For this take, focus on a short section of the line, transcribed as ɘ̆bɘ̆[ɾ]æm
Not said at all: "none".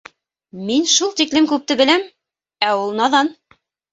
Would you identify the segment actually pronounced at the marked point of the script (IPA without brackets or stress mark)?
l